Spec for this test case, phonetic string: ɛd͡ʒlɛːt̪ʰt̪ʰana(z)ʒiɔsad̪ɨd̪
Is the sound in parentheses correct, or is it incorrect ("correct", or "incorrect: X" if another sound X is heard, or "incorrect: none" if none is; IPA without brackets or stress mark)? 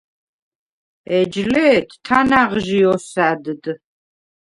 incorrect: ʁ